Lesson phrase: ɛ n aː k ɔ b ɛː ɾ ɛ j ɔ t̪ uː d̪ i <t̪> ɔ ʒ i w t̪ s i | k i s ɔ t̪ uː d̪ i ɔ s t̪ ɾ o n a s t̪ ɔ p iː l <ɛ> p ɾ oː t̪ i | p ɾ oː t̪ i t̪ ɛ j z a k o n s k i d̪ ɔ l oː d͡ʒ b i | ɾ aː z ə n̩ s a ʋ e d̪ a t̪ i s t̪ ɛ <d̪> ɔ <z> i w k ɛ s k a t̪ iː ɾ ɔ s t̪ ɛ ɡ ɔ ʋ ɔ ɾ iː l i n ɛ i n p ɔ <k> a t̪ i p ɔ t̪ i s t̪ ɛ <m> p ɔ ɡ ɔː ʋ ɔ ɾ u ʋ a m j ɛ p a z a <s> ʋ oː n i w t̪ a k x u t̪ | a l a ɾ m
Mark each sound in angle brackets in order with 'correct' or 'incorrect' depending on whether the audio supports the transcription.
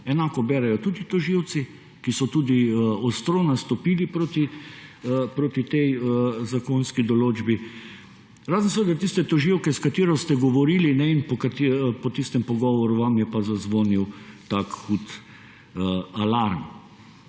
correct, incorrect: i, incorrect: t̪, incorrect: ʒ, correct, correct, incorrect: z

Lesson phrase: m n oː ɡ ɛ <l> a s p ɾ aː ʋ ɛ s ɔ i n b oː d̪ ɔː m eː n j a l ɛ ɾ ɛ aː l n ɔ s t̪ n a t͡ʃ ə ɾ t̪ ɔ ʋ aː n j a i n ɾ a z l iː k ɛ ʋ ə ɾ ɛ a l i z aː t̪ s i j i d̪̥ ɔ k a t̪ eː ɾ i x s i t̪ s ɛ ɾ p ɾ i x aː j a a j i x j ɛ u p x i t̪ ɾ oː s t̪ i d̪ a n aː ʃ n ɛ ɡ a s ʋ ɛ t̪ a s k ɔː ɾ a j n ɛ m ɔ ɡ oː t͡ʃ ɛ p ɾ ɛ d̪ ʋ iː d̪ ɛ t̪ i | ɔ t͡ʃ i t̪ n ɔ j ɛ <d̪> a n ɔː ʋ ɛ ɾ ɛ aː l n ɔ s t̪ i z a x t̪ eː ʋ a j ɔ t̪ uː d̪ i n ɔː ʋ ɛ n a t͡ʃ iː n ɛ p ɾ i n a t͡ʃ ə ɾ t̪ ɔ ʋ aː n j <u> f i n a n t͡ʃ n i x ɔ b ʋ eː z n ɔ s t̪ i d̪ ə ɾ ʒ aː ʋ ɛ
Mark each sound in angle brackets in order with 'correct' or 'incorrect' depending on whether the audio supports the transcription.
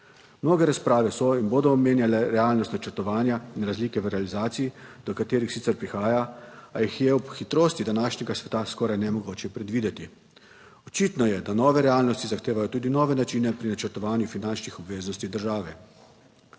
incorrect: ɾ, correct, correct

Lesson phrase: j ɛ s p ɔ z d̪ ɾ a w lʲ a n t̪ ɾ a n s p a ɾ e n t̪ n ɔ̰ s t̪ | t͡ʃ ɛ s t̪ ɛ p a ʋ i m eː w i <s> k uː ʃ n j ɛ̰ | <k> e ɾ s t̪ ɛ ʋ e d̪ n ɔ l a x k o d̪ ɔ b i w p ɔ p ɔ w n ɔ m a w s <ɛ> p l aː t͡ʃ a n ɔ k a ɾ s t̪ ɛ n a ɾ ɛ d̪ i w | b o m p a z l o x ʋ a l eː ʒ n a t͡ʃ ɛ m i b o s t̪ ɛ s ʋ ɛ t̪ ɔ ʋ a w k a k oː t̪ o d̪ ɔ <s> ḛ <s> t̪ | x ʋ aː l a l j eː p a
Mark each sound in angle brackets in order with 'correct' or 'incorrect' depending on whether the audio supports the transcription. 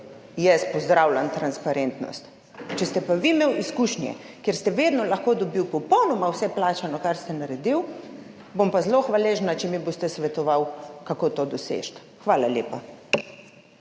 correct, correct, correct, correct, incorrect: ʃ

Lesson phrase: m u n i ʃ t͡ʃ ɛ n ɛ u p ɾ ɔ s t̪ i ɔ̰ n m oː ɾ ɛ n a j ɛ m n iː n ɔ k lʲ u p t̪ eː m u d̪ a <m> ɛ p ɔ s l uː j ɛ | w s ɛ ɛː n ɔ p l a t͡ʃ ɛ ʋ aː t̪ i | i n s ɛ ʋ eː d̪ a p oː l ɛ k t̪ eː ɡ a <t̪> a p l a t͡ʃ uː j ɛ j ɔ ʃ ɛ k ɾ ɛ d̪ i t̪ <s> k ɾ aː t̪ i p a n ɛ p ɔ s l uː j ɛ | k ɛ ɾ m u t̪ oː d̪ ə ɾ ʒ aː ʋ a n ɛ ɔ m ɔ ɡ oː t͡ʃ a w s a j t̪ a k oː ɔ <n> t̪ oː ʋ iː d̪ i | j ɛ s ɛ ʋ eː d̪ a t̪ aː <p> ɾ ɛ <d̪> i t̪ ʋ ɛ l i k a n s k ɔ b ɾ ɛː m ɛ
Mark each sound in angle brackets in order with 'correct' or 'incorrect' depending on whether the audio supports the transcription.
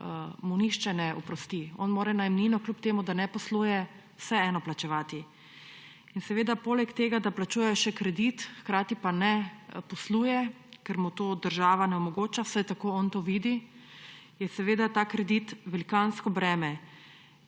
incorrect: n, incorrect: d̪, incorrect: x, correct, incorrect: k, correct

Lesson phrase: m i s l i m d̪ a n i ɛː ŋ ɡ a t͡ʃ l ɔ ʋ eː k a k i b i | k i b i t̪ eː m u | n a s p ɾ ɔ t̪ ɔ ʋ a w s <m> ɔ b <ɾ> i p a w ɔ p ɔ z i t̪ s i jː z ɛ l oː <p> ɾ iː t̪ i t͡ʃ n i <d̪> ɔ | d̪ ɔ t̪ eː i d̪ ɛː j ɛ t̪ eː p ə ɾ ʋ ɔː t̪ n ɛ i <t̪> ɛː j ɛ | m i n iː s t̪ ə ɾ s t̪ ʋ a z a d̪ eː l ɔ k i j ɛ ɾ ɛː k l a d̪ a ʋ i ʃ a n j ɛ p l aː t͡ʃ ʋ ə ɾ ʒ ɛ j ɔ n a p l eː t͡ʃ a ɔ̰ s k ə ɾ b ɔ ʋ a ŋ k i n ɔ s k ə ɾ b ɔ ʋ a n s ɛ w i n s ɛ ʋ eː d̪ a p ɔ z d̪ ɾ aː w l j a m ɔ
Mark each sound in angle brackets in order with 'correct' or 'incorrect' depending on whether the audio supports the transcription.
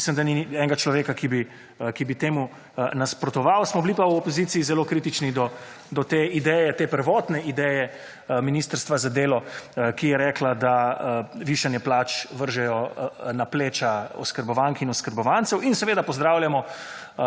correct, incorrect: l, incorrect: k, correct, incorrect: d̪

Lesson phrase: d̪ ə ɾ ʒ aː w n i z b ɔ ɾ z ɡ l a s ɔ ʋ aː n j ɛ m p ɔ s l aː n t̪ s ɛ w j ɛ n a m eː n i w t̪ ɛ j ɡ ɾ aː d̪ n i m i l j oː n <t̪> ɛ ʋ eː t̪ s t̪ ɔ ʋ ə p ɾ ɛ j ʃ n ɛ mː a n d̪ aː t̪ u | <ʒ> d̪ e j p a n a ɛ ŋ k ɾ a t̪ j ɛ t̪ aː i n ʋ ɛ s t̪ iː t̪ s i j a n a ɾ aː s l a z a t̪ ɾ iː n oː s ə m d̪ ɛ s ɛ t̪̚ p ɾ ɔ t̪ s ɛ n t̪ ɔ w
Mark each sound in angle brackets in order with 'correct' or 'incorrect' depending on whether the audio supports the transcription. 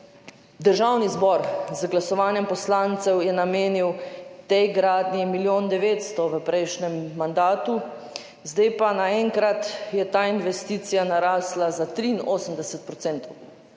incorrect: d̪, incorrect: z

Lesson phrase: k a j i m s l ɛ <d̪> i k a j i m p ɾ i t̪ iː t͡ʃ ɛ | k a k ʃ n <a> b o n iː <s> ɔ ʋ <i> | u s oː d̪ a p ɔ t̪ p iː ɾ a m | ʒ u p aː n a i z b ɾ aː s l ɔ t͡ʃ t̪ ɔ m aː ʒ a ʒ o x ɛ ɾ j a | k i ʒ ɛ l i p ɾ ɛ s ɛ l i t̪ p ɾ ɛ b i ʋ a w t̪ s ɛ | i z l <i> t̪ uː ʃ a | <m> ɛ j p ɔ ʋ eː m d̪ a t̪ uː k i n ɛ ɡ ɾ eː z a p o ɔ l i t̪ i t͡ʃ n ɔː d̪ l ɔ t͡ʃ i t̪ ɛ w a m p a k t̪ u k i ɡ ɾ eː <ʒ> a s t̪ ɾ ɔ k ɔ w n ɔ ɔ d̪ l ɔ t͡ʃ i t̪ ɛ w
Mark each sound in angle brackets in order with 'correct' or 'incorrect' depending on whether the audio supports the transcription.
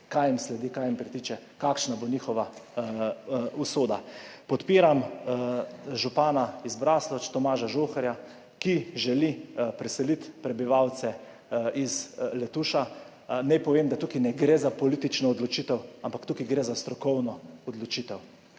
correct, correct, incorrect: x, incorrect: a, incorrect: ɛ, incorrect: n, incorrect: z

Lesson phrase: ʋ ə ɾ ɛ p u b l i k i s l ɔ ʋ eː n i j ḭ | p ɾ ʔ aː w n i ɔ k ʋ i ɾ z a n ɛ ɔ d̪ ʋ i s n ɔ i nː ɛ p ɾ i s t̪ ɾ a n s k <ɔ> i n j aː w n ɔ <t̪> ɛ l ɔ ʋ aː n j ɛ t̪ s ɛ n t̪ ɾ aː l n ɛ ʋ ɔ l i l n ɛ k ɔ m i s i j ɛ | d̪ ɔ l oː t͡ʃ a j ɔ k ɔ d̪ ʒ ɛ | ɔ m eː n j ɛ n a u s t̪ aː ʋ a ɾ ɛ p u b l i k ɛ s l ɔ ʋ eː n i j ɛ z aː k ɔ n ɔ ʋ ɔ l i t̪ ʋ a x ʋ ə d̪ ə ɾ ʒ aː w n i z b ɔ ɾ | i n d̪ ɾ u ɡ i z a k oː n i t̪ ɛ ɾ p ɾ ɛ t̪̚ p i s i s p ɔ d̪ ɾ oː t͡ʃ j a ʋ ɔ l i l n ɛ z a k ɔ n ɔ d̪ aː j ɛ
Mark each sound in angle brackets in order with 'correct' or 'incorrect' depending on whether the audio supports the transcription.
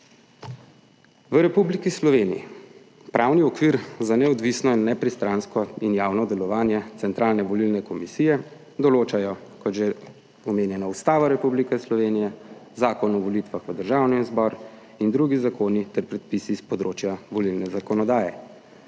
correct, incorrect: d̪

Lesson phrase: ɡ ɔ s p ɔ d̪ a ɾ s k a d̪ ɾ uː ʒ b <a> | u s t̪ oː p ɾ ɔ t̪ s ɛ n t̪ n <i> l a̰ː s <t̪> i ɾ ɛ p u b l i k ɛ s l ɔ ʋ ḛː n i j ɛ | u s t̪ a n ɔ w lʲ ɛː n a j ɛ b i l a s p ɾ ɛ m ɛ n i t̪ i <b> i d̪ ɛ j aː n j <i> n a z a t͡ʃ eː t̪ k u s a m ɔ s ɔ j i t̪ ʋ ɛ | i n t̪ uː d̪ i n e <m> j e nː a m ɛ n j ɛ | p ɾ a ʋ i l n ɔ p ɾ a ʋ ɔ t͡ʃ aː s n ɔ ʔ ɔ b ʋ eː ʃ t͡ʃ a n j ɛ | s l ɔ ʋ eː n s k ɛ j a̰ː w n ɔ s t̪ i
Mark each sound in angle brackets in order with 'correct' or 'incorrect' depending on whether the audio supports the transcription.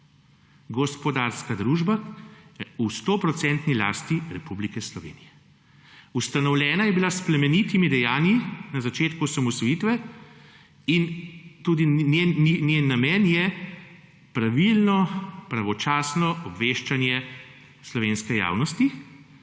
correct, correct, correct, incorrect: m, correct, incorrect: n

